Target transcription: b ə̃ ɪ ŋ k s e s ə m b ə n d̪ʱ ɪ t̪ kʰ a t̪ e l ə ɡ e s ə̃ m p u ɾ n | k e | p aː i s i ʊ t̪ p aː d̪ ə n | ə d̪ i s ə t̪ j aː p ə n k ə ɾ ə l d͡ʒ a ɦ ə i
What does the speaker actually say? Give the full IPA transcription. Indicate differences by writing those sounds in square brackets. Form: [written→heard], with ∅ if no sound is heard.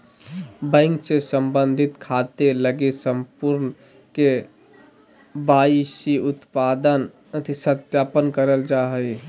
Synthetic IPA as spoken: b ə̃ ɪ ŋ k s e s ə m b ə n d̪ʱ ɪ t̪ kʰ a t̪ e l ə ɡ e s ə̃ m p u ɾ n | k e | [p→b] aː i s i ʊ t̪ p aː d̪ ə n | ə [d̪→t̪] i s ə t̪ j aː p ə n k ə ɾ ə l d͡ʒ a ɦ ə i